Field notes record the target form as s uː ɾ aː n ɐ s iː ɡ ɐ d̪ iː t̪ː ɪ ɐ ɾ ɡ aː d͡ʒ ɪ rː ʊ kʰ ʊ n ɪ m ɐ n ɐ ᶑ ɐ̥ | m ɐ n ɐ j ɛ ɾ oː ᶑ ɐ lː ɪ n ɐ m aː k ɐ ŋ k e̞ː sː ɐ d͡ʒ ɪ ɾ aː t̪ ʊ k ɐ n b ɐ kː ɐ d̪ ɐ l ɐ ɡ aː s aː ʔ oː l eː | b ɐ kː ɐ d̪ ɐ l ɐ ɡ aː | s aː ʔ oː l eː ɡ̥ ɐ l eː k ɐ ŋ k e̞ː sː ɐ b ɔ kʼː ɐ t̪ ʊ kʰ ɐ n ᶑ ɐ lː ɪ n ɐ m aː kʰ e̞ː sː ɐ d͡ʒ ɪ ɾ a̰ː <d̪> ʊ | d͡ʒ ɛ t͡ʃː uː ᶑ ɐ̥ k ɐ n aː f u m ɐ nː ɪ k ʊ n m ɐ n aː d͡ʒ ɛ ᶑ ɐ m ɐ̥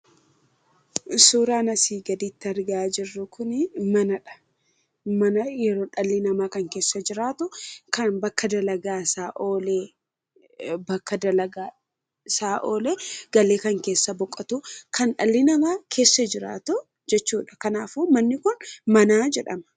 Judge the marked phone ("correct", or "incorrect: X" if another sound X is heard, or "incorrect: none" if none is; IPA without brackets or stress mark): incorrect: t̪